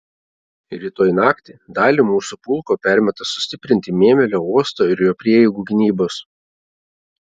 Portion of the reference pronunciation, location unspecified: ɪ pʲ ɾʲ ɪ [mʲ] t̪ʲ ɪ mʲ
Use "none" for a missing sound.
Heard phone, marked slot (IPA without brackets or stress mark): nʲ